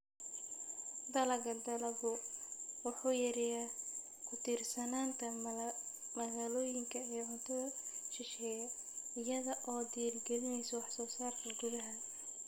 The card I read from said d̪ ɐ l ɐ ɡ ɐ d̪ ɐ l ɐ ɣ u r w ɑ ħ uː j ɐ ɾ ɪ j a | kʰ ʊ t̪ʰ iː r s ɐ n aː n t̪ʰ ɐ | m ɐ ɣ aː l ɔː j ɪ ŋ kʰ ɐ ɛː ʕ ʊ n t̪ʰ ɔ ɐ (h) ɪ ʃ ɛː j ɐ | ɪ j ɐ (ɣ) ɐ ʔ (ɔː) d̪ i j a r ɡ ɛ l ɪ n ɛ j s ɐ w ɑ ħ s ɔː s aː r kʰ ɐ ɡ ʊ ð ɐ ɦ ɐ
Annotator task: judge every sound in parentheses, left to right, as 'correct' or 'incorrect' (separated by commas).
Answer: incorrect, incorrect, correct